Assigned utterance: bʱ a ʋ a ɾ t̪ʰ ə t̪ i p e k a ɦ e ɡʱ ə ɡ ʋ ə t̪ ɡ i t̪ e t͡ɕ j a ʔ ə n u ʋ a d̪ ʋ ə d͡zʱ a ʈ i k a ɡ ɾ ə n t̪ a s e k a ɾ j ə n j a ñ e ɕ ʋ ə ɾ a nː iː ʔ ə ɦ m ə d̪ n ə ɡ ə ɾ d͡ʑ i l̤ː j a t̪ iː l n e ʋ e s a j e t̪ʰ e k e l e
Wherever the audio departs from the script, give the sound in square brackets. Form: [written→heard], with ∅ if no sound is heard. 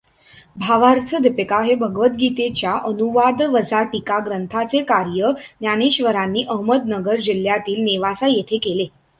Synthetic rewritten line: bʱ a ʋ a ɾ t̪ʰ ə [t̪→d̪] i p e k a ɦ e [ɡʱ→bʱ] ə ɡ ʋ ə t̪ ɡ i t̪ e t͡ɕ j a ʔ ə n u ʋ a d̪ ʋ ə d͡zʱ a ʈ i k a ɡ ɾ ə n [t̪→t̪ʰ] a [s→t͡s] e k a ɾ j ə n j a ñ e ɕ ʋ ə ɾ a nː iː ʔ ə ɦ m ə d̪ n ə ɡ ə ɾ d͡ʑ i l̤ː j a t̪ iː l n e ʋ [e→a] s a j e t̪ʰ e k e l e